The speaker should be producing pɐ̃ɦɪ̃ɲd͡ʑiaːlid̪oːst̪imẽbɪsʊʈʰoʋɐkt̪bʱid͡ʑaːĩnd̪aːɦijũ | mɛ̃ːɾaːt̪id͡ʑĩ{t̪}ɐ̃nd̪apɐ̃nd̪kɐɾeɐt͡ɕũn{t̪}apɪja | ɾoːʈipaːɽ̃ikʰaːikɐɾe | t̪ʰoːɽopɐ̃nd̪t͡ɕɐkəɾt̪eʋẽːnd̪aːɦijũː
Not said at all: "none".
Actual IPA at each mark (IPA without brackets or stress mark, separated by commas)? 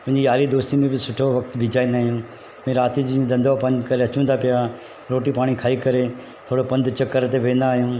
d̪, d̪